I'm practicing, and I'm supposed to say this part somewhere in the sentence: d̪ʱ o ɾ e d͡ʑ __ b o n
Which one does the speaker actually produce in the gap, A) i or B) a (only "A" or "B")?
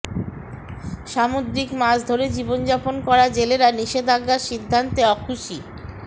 A